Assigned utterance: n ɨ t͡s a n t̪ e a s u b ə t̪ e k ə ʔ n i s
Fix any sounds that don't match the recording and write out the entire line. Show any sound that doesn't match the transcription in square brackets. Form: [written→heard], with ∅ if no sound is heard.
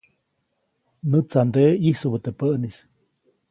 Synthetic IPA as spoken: n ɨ t͡s a n [t̪→d̪] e [a→i] s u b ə t̪ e [k→p] ə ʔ n i s